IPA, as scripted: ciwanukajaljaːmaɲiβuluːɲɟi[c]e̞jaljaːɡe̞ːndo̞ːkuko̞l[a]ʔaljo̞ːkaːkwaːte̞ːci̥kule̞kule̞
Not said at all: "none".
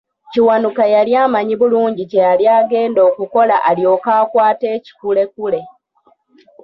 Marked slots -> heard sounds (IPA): c, a

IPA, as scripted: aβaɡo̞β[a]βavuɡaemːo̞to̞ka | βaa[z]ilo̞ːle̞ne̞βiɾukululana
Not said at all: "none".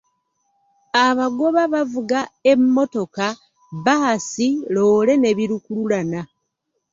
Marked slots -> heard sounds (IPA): a, s

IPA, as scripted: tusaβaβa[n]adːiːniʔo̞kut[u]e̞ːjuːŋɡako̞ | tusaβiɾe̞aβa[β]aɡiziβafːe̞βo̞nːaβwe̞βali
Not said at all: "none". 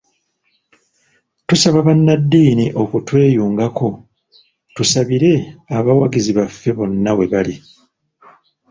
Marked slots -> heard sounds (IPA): nː, w, w

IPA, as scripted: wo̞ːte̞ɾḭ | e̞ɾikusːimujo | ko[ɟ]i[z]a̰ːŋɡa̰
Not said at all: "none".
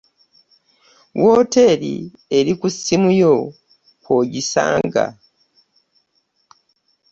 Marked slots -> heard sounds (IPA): ɟ, s

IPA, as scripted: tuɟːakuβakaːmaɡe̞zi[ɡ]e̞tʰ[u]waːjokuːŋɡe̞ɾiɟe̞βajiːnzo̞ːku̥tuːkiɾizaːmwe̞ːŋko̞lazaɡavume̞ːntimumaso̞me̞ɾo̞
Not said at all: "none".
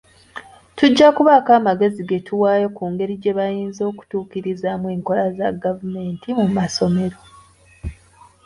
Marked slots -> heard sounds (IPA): ɡ, u

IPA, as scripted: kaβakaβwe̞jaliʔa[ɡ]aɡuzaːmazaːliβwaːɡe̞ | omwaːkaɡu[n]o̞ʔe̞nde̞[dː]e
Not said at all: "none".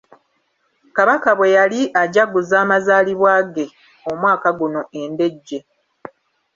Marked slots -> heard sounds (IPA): ɟ, n, ɟː

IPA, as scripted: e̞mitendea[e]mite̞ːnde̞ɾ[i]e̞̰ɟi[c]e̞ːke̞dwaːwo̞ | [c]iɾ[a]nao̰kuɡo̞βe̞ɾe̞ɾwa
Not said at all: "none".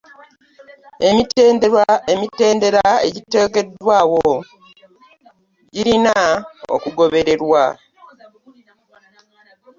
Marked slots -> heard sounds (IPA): e, a, t, ɟ, i

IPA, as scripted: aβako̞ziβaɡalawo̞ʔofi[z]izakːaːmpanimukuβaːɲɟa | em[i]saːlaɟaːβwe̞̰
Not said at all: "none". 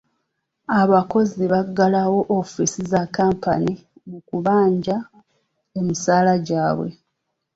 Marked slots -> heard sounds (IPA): s, i

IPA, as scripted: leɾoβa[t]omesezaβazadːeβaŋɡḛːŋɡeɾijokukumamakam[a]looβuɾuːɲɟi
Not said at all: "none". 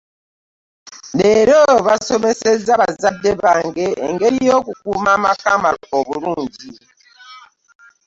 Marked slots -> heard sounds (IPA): s, a

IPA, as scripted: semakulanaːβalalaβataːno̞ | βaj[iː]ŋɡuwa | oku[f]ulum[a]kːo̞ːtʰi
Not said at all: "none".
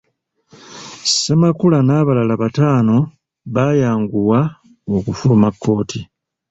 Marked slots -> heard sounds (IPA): aː, f, a

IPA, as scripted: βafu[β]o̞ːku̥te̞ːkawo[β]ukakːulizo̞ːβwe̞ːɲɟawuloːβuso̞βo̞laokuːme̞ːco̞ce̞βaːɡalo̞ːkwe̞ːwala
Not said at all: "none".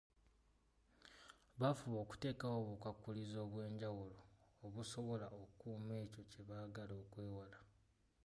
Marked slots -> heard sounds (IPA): β, β

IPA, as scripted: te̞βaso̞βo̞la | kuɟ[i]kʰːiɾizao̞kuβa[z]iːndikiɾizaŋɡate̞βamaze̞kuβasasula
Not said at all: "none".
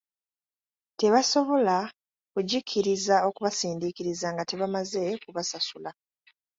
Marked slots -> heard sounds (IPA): i, s

